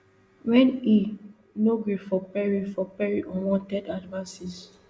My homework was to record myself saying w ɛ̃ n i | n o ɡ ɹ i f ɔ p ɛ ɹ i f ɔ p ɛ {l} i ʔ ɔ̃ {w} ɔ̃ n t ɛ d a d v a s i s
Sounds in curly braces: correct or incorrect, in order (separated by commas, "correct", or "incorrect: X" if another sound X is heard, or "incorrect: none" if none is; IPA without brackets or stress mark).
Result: incorrect: ɹ, correct